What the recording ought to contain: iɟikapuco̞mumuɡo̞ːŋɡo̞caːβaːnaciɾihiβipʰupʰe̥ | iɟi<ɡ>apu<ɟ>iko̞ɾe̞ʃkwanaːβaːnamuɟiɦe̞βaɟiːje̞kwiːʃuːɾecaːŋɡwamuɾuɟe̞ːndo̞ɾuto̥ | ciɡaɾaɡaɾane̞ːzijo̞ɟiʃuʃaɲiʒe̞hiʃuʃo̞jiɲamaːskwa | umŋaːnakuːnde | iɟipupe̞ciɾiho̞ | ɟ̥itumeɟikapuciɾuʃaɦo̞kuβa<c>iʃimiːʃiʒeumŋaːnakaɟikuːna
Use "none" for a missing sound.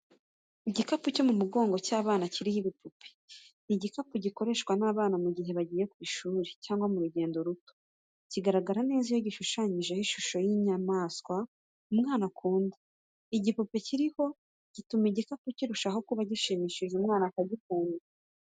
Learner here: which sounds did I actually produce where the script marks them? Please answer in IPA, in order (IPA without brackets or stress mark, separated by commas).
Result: k, ɟ, ɟ